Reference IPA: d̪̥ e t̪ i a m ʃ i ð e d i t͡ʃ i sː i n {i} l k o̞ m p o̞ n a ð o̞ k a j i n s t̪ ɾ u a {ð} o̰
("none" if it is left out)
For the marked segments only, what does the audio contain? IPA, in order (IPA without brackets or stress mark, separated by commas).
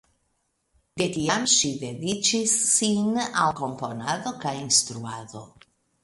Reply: a, ð